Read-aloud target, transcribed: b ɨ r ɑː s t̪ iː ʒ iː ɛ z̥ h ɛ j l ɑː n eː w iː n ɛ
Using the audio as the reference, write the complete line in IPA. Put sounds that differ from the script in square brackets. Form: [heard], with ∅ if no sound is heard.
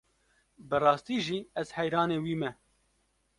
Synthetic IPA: b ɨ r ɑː s t̪ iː ʒ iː ɛ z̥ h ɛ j [ɾ] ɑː n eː w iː [m] ɛ